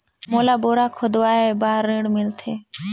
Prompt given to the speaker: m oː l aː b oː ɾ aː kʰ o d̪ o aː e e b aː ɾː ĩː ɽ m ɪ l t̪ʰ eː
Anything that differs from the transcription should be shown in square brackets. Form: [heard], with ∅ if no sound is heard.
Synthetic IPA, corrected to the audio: m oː l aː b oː ɾ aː kʰ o d̪ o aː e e b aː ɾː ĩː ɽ m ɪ l t̪ʰ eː